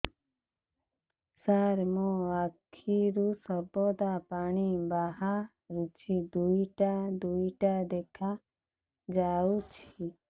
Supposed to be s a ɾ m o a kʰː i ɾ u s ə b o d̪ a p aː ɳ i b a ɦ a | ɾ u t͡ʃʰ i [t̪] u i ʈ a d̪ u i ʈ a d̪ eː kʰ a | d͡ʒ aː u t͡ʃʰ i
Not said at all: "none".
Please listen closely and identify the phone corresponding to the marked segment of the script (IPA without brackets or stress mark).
d̪